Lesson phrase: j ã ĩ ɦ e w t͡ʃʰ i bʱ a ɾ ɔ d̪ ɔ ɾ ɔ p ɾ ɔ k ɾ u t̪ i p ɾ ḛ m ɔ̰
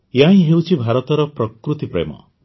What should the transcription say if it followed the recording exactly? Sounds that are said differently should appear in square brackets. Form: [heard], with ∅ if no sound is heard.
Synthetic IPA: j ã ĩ ɦ e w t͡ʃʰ i bʱ a ɾ ɔ [t̪] ɔ ɾ ɔ p ɾ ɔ k ɾ u t̪ i p ɾ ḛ m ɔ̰

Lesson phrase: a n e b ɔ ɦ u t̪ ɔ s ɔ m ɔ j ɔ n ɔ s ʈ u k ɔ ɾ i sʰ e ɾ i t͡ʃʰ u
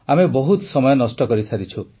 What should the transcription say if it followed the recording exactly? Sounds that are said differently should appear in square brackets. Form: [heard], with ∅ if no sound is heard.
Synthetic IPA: a [m] e b ɔ ɦ u t̪ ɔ s ɔ m ɔ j ɔ n ɔ s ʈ [ɔ] k ɔ ɾ i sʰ [a] ɾ i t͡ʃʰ u

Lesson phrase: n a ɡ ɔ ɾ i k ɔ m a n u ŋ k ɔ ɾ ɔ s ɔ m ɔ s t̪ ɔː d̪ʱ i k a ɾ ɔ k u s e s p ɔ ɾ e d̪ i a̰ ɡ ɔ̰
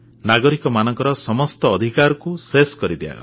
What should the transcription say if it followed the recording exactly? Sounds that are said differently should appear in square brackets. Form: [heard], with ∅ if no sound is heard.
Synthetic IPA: n a ɡ ɔ ɾ i k ɔ m a n [ɔ] ŋ k ɔ ɾ ɔ s ɔ m ɔ s t̪ ɔː d̪ʱ i k a ɾ ɔ k u s e s [k] ɔ ɾ [i] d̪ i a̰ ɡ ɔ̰

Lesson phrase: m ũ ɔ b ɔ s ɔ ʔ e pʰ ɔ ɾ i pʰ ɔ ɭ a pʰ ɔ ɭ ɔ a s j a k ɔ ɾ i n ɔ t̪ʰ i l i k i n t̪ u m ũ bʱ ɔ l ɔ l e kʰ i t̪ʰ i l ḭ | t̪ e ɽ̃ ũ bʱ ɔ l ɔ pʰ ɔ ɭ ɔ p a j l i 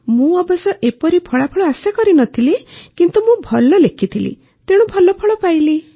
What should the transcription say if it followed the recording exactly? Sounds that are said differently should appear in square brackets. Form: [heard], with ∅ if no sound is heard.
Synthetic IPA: m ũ ɔ b ɔ s ɔ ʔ e [p] ɔ ɾ i pʰ ɔ ɭ a pʰ ɔ ɭ ɔ a s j a k ɔ ɾ i n ɔ t̪ʰ i l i k i n t̪ u m ũ bʱ ɔ l ɔ l e kʰ i t̪ʰ i l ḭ | t̪ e ɽ̃ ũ bʱ ɔ l ɔ pʰ ɔ ɭ ɔ p a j l i

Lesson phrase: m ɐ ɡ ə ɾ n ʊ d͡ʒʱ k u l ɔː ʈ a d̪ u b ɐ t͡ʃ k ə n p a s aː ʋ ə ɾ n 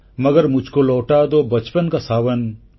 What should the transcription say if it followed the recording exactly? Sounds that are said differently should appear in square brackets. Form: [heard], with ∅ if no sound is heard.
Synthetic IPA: m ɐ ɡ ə ɾ [m] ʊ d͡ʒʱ k [o] l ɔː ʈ a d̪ [o] b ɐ t͡ʃ [p] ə n [k] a s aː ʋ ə [∅] n

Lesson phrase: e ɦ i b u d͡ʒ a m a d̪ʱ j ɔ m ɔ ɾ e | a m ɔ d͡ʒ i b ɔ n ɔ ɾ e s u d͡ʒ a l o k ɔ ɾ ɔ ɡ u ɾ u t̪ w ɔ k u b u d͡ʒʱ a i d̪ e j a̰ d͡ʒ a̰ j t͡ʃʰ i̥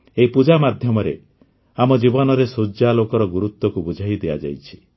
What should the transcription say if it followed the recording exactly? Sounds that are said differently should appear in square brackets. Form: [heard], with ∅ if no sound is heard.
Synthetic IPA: e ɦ i [p] u d͡ʒ a m a d̪ʱ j ɔ m ɔ ɾ e | a m ɔ d͡ʒ i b ɔ n ɔ ɾ e s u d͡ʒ a l o k ɔ ɾ ɔ ɡ u ɾ u t̪ w ɔ k u b u d͡ʒʱ a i d̪ e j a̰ d͡ʒ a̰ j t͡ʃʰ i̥

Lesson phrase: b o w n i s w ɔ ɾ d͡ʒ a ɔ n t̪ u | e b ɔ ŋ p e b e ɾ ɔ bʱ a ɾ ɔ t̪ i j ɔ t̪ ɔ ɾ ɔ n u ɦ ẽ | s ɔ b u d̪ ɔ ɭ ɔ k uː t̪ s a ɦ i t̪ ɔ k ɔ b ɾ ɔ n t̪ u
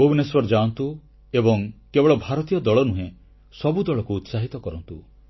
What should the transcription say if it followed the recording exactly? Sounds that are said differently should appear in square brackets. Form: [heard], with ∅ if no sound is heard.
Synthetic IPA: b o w n [e] s w ɔ ɾ d͡ʒ a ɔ n t̪ u | e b ɔ ŋ [k] e b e [ɭ] ɔ bʱ a ɾ ɔ t̪ i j ɔ [d̪] ɔ [ɭ] ɔ n u ɦ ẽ | s ɔ b u d̪ ɔ ɭ ɔ k uː t̪ s a ɦ i t̪ ɔ k ɔ [∅] ɾ ɔ n t̪ u

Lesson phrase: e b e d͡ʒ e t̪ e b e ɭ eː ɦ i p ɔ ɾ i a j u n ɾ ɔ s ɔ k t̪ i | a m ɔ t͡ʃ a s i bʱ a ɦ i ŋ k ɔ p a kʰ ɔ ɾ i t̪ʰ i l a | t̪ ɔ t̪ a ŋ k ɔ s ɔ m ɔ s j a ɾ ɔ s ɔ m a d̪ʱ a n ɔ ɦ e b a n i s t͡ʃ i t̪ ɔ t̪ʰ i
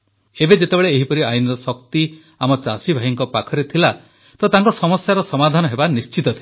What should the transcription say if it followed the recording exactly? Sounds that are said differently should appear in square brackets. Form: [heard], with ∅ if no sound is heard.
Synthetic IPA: e b e d͡ʒ e t̪ e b e ɭ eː ɦ i p ɔ ɾ i a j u n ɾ ɔ s ɔ k t̪ i | a m ɔ t͡ʃ a s i bʱ a ɦ i ŋ k ɔ p a kʰ ɔ ɾ [e] t̪ʰ i l a | t̪ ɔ t̪ a ŋ k ɔ s ɔ m ɔ s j a ɾ ɔ s ɔ m a d̪ʱ a n ɔ ɦ e b a n i s t͡ʃ i t̪ ɔ t̪ʰ i

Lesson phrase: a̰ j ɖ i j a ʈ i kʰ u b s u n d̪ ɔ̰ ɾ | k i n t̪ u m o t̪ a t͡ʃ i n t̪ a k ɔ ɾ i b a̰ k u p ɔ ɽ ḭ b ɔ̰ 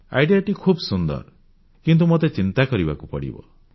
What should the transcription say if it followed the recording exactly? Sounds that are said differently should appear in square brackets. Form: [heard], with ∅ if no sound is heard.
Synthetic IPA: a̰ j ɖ i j a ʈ i kʰ u b s u n d̪ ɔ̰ ɾ | k i n t̪ u m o t̪ [e] t͡ʃ i n t̪ a k ɔ ɾ i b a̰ k u p ɔ ɽ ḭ b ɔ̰

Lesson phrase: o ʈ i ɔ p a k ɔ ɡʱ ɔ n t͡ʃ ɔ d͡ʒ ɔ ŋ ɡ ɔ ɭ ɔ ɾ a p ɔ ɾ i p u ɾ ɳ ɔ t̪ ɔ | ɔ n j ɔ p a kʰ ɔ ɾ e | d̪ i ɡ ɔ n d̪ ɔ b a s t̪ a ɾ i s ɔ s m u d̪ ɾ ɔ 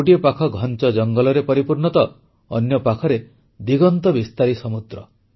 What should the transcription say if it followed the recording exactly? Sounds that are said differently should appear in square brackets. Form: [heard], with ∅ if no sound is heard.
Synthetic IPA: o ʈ i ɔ p a [kʰ] ɔ ɡʱ ɔ n t͡ʃ ɔ d͡ʒ ɔ ŋ ɡ ɔ [l] ɔ ɾ [e] p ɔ ɾ i p u ɾ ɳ ɔ t̪ ɔ | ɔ n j ɔ p a kʰ ɔ ɾ e | d̪ i ɡ ɔ n [t̪] ɔ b [i] s t̪ a ɾ i s ɔ [∅] m u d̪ ɾ ɔ

